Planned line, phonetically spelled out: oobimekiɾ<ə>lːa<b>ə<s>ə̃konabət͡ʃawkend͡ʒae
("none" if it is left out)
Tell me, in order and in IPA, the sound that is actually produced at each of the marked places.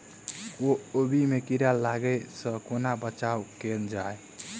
a, ɡ, s

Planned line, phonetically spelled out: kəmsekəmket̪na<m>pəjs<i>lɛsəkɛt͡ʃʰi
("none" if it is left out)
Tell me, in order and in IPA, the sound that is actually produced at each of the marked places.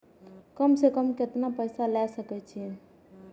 none, a

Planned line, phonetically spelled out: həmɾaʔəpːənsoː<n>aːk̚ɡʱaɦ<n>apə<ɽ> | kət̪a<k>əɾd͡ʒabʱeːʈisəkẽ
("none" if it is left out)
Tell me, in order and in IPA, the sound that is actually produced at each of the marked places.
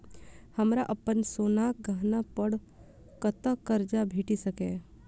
n, n, ɽ, k

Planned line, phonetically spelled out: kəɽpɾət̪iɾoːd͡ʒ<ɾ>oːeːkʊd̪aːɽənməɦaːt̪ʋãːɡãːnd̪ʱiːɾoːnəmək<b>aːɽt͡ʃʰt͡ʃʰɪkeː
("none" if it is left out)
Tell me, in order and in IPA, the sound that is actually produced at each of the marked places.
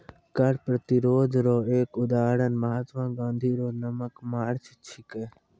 ɾ, m

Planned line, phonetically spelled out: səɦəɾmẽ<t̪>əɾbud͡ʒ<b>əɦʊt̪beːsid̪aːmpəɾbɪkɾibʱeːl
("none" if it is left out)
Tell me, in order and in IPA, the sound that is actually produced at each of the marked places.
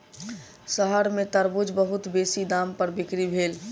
t̪, b

